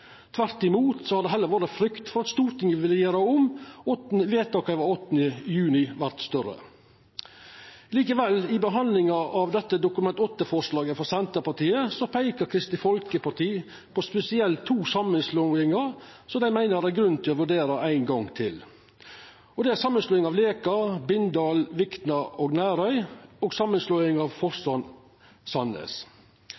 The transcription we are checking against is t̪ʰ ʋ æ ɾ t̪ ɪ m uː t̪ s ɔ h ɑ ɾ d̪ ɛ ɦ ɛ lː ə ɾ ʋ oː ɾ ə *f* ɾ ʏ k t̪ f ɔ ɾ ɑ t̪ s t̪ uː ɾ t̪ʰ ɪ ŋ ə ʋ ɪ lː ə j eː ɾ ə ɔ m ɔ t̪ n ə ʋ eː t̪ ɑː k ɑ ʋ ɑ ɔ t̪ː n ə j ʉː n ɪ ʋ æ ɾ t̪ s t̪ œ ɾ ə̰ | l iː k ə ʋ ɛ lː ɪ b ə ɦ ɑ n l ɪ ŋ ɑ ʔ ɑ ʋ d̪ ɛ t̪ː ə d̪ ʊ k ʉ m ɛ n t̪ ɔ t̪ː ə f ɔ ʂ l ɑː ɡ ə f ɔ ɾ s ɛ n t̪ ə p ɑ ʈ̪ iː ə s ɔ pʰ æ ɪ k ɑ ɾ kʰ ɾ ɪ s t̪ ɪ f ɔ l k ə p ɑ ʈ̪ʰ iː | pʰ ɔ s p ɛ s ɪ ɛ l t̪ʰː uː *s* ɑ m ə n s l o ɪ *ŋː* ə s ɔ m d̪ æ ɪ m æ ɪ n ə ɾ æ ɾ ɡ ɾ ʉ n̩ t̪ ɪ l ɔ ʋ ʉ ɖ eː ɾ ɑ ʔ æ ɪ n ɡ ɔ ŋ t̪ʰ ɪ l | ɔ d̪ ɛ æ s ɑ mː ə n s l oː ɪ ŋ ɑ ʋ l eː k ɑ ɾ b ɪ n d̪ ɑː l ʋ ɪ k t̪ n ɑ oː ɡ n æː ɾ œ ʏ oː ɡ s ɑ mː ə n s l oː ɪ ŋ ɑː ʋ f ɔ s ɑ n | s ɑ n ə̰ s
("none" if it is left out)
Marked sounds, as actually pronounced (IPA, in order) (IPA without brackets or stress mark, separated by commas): f, s, ŋ